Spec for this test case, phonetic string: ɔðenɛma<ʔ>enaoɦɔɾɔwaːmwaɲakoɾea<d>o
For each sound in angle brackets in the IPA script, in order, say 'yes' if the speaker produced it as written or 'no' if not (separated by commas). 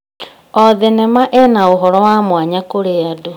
yes, yes